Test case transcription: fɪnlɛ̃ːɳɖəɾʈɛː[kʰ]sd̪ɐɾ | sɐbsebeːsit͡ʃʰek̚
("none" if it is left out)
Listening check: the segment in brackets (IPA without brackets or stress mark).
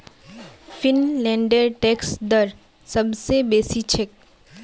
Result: k